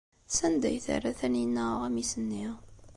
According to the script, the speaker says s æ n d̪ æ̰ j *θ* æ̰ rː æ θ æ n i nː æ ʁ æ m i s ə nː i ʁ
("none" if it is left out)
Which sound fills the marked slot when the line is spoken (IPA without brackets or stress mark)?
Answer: θ